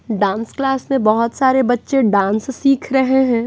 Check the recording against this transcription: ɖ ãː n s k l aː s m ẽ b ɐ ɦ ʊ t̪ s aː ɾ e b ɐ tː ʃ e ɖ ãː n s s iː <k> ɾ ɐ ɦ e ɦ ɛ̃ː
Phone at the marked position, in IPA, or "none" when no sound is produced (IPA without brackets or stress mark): kʰ